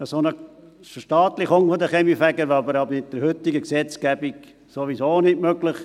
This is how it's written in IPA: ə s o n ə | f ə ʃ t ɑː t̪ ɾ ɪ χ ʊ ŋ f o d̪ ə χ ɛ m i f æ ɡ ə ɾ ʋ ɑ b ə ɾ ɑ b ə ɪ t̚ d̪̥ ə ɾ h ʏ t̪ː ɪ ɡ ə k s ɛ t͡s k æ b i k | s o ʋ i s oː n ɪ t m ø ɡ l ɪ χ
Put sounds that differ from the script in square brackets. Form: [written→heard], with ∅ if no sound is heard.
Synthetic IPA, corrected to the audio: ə s o n ə | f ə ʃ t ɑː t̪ [ɾ→l] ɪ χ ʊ ŋ f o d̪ ə χ ɛ m i f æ ɡ ə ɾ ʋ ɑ b ə ɾ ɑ b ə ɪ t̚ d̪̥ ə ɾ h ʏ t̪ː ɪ ɡ ə k s ɛ t͡s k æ b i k | s o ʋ i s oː n ɪ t m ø ɡ l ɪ χ